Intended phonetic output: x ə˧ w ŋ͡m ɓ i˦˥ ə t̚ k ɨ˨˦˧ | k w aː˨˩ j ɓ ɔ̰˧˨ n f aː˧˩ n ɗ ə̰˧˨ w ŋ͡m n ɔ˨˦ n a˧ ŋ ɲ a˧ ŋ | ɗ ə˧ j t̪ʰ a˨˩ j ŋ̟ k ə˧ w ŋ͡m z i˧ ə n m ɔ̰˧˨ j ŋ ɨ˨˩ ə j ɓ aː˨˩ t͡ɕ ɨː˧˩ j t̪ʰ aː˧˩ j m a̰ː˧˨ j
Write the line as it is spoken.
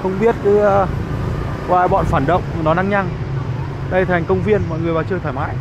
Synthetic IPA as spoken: x ə˧ w ŋ͡m ɓ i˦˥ ə t̚ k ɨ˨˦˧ | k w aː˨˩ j ɓ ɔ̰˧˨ n f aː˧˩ n ɗ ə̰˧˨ w ŋ͡m n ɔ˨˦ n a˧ ŋ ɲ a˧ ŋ | ɗ ə˧ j t̪ʰ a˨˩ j ŋ̟ k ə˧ w ŋ͡m v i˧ ə n m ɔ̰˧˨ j ŋ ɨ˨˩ ə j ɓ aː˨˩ t͡ɕ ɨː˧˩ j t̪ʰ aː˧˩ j m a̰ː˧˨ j